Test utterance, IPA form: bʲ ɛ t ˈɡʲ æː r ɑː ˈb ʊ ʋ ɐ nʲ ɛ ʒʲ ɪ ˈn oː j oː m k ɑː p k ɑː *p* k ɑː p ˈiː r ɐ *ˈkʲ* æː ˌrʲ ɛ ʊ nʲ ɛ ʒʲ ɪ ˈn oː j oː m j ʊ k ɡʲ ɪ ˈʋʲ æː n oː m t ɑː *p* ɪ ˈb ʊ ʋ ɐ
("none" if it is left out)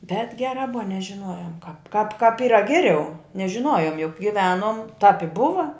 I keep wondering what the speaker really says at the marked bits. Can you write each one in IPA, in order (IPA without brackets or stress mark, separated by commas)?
p, ɡʲ, p